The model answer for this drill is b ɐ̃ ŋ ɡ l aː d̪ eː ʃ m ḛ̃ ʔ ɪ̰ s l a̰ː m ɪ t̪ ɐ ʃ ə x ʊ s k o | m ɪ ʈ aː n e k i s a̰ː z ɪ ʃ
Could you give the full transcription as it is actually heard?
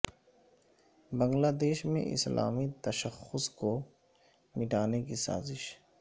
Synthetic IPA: b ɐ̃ ŋ ɡ l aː d̪ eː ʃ m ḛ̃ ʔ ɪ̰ s l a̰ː m i t̪ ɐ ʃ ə x ʊ s k o | m ɪ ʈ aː n e k i s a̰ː z ɪ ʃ